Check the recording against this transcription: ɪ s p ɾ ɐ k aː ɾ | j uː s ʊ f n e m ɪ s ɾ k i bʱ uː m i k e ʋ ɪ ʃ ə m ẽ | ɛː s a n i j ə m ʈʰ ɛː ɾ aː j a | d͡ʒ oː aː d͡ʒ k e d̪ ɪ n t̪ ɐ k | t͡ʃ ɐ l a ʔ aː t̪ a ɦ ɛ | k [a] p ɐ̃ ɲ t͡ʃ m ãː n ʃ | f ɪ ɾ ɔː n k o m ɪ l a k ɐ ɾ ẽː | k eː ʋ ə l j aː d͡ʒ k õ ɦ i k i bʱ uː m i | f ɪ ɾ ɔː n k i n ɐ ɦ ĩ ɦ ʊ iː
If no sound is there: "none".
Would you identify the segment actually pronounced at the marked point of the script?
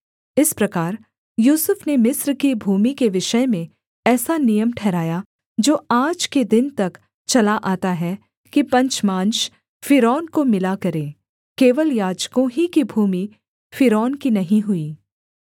i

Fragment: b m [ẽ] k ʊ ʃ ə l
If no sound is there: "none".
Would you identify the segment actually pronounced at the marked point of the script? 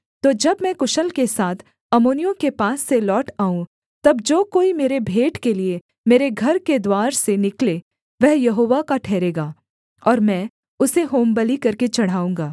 ɛ̃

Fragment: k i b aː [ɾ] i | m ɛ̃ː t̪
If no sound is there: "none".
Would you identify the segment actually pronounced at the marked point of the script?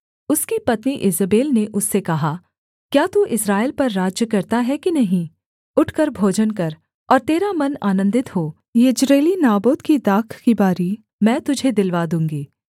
ɾ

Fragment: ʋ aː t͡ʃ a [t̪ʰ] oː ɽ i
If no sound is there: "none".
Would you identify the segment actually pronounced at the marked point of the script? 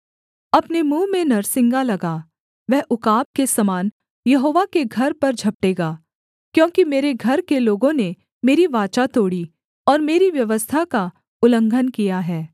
t̪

